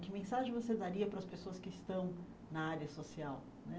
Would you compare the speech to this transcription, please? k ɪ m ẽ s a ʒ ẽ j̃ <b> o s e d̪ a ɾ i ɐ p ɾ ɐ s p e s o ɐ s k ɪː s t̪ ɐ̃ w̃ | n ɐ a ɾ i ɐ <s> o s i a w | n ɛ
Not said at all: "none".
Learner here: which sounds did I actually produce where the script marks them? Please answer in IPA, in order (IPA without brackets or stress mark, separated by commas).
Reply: v, s